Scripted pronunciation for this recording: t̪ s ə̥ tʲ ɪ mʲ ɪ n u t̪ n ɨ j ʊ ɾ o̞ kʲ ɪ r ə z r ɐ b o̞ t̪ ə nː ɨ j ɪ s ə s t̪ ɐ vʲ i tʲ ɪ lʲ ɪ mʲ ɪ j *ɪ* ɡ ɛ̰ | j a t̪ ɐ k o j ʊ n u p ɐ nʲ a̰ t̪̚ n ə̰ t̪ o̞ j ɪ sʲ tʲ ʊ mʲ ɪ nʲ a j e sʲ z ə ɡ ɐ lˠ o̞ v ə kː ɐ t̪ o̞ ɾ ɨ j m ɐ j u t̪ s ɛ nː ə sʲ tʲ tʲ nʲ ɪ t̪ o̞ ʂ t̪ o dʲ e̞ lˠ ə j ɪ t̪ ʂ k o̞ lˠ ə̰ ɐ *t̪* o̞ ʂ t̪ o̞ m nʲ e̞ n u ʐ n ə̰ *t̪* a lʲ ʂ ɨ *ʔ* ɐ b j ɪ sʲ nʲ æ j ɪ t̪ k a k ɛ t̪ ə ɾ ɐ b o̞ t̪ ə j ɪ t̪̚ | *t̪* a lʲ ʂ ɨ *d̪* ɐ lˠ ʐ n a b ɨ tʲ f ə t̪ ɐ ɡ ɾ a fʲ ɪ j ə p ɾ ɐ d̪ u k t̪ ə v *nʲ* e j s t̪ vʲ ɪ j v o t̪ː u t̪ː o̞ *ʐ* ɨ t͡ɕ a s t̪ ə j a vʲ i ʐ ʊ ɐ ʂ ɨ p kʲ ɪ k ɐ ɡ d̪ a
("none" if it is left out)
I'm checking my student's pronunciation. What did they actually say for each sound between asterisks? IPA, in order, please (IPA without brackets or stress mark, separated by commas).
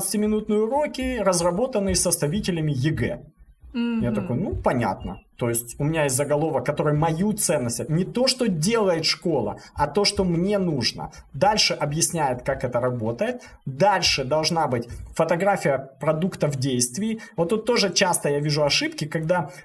ɪ, t̪, d̪, ʔ, d̪, d̪, dʲ, ʐ